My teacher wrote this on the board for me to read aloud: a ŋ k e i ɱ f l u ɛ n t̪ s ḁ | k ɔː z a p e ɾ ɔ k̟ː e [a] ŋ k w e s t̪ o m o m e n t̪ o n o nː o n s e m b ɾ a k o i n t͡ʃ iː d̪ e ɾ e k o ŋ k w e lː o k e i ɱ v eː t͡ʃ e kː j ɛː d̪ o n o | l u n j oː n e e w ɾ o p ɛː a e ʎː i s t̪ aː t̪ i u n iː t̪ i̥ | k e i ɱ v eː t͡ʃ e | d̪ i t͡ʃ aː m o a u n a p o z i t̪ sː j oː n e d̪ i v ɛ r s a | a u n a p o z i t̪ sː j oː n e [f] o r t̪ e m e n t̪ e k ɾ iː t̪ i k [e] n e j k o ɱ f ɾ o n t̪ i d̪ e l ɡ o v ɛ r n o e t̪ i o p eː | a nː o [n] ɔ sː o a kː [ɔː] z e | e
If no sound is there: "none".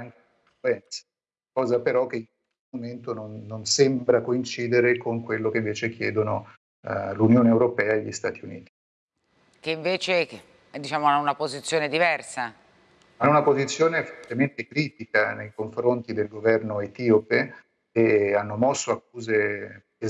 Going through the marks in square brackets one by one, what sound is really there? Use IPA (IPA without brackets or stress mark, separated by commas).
i, f, a, m, uː